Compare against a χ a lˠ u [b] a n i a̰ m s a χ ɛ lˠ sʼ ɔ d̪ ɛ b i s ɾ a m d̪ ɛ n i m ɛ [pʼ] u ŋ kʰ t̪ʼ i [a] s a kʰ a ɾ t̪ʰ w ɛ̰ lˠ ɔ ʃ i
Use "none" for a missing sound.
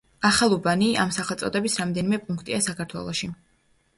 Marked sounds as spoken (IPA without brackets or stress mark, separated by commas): b, pʼ, a